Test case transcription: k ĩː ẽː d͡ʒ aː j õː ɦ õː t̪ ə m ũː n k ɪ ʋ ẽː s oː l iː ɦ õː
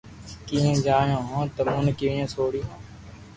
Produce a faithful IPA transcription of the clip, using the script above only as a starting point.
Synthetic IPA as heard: k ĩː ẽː d͡ʒ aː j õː ɦ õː t̪ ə m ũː n k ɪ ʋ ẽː s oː ɽ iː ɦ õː